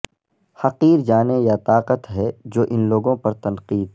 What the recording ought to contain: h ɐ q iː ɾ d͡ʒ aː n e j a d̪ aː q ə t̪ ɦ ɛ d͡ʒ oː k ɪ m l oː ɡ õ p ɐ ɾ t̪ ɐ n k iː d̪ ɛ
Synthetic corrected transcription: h ɐ q iː ɾ d͡ʒ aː n e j a t̪ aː q ə t̪ ɦ ɛ d͡ʒ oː ʔ ɪ n l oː ɡ õ p ɐ ɾ t̪ ɐ n q iː d̪ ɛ